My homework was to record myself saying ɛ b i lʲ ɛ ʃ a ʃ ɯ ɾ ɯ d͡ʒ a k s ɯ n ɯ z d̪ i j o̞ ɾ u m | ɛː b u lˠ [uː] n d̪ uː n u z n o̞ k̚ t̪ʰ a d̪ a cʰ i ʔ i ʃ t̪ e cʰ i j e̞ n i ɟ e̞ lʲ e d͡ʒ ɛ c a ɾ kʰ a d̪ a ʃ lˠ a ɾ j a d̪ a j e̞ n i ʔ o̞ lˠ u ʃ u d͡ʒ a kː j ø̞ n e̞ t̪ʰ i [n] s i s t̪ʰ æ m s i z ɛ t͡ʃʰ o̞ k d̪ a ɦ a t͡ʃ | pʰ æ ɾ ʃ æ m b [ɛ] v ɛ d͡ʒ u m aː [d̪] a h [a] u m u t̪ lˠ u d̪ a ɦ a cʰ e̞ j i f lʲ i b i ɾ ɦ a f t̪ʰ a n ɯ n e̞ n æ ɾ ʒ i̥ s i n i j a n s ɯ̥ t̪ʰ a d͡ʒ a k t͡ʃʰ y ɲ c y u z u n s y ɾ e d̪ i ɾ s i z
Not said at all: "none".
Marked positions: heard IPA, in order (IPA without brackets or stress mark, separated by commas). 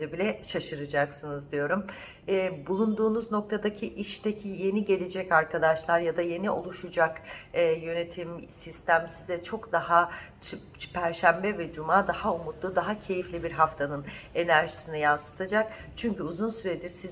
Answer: u, m, ɛ, d̪, a